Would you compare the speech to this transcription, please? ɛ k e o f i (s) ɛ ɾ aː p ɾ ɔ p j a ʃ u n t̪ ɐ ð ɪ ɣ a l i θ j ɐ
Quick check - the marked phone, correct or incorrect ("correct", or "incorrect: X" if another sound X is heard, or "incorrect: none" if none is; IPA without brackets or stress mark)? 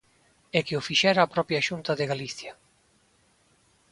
incorrect: ʃ